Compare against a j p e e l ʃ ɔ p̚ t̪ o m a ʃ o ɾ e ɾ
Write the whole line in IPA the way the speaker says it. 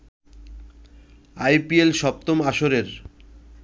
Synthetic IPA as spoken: a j p i e l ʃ ɔ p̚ t̪ o m a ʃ o ɾ e ɾ